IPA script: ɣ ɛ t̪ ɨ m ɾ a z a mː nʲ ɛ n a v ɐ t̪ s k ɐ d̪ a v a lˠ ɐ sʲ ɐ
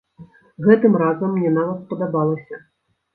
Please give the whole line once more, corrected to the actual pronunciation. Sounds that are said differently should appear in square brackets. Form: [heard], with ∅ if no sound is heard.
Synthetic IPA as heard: ɣ ɛ t̪ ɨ m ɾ a z [ɐ] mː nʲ ɛ n a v ɐ t̪ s [p] ɐ d̪ a [b] a lˠ ɐ sʲ ɐ